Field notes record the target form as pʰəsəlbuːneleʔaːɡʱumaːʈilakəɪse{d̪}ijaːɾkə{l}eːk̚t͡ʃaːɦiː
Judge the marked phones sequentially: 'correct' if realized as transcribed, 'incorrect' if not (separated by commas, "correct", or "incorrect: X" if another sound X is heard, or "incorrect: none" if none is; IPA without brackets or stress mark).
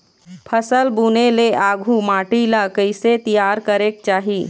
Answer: incorrect: t̪, incorrect: ɾ